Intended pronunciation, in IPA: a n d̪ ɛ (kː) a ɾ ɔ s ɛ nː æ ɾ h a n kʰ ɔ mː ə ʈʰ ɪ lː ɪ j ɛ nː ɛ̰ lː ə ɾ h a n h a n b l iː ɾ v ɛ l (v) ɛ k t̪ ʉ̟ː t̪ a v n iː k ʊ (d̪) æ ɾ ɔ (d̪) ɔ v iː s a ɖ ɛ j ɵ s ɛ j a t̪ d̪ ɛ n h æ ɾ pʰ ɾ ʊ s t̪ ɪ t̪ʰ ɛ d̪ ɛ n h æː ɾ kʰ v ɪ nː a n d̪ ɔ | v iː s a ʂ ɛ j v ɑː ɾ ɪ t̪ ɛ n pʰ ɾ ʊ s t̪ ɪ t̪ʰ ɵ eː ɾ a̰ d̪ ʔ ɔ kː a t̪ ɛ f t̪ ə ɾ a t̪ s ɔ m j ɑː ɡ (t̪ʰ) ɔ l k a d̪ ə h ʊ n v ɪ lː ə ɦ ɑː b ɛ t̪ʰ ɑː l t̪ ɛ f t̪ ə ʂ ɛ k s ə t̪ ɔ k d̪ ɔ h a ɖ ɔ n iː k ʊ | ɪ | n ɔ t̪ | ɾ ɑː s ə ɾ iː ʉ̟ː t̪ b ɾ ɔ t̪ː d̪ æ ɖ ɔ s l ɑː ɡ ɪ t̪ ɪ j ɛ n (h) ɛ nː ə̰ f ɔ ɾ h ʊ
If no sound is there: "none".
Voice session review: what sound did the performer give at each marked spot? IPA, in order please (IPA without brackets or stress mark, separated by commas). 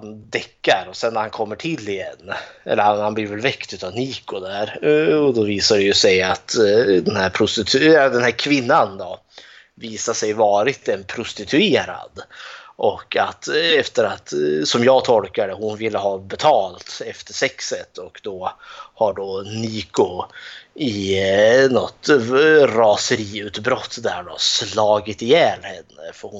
kː, v, d̪, d̪, t̪ʰ, h